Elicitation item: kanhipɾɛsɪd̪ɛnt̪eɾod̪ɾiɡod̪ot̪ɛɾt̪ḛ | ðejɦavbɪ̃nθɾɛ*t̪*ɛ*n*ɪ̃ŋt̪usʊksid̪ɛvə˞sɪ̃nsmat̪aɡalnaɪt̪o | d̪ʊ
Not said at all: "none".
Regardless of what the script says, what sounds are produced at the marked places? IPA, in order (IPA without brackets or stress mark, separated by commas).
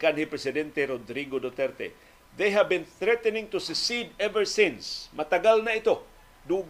t̪, n